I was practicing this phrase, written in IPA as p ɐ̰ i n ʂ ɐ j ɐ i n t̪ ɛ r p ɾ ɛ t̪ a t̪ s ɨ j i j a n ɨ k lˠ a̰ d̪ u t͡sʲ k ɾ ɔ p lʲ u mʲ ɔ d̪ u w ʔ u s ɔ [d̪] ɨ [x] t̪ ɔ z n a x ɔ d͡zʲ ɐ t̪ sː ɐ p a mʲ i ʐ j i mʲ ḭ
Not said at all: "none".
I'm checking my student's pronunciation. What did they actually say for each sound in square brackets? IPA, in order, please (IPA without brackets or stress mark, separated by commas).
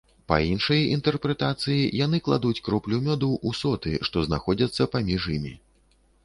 t̪, ʂ